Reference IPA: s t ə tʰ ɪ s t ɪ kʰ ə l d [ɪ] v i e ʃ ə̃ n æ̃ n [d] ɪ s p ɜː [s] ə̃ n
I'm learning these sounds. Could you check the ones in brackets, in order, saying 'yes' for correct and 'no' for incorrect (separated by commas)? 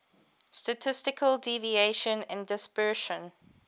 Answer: no, yes, no